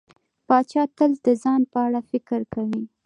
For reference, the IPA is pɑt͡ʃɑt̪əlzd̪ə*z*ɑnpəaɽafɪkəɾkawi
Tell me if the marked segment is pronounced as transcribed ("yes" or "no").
yes